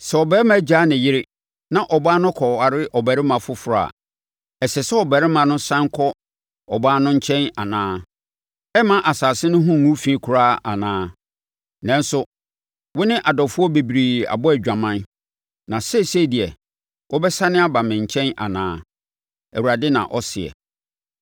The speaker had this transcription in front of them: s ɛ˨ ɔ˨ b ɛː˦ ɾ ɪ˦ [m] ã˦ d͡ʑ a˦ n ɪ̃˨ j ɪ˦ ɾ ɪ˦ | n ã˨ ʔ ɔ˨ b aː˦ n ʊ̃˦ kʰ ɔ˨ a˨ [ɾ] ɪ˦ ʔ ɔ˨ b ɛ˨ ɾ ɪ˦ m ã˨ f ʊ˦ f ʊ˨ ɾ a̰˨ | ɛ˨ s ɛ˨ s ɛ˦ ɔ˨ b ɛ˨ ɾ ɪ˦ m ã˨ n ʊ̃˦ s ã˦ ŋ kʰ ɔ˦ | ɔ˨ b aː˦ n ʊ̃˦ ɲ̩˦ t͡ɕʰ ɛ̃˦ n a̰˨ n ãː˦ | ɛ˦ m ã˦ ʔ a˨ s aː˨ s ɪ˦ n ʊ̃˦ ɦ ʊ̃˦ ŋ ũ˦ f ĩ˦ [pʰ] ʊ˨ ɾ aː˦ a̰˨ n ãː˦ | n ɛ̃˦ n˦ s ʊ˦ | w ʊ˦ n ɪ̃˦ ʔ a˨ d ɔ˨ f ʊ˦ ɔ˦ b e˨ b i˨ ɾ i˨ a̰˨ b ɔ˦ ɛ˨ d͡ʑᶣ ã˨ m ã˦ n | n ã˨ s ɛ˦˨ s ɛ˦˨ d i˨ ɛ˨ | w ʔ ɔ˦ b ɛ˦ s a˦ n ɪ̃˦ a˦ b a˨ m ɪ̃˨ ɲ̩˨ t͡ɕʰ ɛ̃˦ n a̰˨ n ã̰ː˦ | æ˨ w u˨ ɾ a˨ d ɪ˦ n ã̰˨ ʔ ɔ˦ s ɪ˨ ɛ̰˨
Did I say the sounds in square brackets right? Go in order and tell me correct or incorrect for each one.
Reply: correct, correct, incorrect: kʰ

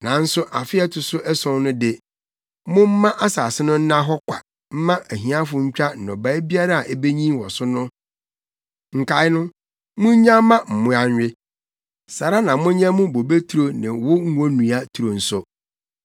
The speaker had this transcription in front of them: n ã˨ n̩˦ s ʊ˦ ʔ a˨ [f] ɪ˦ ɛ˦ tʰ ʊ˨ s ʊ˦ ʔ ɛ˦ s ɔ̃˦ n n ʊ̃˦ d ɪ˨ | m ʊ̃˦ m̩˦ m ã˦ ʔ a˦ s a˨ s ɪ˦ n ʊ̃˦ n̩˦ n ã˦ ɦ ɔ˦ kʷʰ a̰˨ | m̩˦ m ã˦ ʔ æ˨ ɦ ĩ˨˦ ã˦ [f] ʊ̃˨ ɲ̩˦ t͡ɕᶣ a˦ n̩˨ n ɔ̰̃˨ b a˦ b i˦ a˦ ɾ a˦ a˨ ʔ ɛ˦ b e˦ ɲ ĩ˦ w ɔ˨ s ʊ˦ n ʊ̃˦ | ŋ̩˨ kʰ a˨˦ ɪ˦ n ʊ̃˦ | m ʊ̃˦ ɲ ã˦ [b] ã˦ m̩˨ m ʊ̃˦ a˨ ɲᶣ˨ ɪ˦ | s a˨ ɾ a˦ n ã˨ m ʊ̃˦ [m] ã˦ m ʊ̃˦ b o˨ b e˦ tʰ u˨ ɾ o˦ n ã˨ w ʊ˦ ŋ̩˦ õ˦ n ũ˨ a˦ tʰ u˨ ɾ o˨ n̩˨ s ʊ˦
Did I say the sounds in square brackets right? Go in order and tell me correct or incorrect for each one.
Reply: correct, correct, incorrect: m, incorrect: ɲ

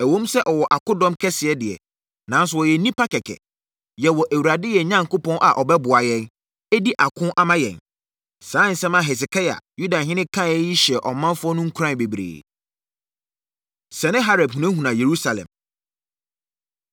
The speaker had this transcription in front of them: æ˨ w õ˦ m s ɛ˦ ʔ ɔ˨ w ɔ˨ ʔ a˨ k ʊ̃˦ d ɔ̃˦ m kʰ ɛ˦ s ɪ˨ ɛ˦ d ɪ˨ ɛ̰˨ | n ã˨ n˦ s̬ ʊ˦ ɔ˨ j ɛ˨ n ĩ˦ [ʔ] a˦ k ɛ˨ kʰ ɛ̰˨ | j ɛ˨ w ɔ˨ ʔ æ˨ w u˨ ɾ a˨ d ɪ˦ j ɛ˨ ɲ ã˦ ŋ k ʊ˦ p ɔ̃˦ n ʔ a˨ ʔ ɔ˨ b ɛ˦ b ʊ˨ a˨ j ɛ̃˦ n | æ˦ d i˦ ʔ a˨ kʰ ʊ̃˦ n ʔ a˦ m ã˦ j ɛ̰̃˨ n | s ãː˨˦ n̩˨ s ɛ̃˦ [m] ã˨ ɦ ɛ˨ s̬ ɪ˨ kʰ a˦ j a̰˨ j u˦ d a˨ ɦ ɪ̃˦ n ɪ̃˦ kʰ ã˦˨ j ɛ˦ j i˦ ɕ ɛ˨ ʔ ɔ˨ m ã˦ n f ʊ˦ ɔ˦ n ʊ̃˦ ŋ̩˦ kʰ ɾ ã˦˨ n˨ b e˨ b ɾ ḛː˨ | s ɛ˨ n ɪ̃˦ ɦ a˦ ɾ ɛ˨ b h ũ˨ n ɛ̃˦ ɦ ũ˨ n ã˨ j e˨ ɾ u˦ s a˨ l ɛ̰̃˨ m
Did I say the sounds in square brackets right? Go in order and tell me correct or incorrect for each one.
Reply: incorrect: p, correct

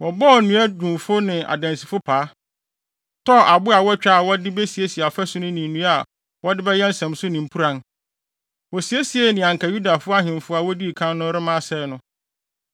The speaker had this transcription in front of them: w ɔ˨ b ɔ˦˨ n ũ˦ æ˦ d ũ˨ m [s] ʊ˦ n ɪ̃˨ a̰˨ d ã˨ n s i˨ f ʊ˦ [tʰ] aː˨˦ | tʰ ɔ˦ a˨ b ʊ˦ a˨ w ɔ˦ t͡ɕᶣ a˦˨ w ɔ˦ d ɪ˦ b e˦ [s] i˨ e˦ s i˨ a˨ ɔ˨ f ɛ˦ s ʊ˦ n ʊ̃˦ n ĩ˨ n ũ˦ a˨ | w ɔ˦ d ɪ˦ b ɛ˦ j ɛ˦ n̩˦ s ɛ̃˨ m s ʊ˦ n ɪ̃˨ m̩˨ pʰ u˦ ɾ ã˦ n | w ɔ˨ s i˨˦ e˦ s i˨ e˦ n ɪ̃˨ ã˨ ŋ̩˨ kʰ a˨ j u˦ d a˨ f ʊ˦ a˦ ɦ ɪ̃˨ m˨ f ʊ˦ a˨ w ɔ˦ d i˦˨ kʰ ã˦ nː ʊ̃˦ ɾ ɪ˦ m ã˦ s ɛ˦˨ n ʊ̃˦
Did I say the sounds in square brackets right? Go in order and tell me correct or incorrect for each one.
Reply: incorrect: f, incorrect: pʰ, correct

